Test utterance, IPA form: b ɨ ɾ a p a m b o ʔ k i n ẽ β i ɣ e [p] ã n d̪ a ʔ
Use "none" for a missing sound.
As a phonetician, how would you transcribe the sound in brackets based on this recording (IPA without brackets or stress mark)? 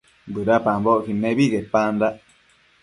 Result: p